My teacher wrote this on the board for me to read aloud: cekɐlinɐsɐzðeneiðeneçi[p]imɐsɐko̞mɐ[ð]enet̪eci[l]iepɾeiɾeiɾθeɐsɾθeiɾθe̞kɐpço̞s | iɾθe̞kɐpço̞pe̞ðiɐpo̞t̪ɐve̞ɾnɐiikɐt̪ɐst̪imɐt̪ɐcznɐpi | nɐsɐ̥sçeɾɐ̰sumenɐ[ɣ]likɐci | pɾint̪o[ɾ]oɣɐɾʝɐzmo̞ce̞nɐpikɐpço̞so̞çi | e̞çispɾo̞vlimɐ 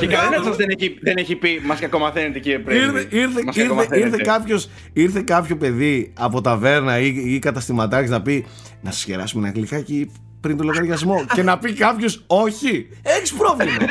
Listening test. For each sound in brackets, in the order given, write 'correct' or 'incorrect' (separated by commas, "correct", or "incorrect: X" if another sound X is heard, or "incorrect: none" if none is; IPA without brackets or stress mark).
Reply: correct, incorrect: θ, incorrect: ɾ, correct, incorrect: l